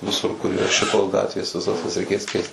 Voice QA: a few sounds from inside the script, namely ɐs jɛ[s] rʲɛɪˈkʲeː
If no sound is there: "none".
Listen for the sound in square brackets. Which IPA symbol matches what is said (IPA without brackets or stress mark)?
s